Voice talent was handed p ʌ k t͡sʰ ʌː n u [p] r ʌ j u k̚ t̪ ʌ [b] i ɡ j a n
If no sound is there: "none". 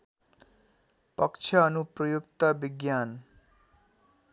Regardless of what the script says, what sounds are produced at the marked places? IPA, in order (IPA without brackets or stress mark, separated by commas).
p, b